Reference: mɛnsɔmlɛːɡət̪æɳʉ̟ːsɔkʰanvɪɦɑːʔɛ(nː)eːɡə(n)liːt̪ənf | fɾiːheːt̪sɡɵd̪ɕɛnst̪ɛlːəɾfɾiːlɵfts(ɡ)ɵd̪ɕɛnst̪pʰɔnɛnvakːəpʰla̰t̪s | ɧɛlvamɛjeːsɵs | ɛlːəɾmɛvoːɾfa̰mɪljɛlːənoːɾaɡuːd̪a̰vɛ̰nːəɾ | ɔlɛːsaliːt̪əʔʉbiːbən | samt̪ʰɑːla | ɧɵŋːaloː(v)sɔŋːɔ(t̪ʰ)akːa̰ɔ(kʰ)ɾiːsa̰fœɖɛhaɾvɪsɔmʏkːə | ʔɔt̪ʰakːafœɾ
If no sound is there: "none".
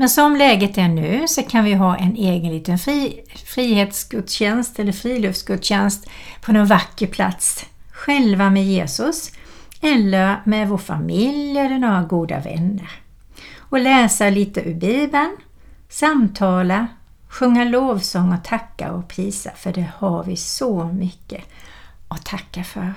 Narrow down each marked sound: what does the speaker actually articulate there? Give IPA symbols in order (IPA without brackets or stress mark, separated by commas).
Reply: n, n, ɡ, v, t̪ʰ, pʰ